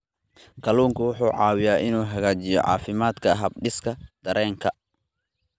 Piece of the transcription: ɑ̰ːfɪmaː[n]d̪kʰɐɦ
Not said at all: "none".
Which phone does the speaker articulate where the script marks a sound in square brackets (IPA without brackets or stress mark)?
none